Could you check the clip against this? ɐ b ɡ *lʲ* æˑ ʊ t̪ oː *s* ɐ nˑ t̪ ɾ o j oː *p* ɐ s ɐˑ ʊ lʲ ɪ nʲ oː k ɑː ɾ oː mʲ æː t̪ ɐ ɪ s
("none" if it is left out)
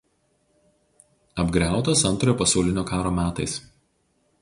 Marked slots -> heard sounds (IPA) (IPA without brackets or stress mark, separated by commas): ɾʲ, s, p